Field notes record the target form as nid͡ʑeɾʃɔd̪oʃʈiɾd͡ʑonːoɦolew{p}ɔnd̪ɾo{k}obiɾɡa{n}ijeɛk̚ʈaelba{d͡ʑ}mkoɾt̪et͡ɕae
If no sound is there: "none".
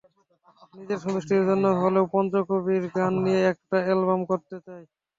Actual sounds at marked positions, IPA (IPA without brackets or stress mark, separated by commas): p, k, nː, none